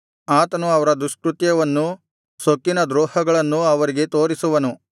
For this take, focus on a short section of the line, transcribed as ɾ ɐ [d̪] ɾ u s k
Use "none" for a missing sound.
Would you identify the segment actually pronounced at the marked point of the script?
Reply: d̪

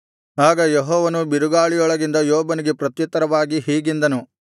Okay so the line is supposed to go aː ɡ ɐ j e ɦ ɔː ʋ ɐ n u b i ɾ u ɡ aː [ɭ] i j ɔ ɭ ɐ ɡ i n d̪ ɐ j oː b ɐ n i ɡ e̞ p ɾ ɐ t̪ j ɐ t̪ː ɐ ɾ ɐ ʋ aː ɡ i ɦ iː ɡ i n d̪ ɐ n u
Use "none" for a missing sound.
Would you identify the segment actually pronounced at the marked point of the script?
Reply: ɭ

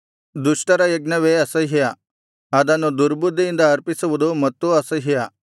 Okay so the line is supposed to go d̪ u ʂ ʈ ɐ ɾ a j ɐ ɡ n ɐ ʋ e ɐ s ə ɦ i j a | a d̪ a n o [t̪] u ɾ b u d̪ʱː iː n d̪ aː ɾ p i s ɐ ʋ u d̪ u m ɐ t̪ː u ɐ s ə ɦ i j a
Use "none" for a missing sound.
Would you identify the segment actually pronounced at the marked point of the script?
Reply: d̪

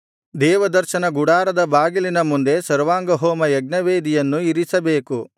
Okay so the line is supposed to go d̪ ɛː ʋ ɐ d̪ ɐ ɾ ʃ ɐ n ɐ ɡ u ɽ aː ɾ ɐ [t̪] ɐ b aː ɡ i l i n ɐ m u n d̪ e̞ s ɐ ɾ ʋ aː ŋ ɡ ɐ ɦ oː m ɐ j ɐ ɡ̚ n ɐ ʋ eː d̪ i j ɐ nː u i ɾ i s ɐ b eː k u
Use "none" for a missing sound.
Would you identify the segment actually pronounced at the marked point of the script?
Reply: d̪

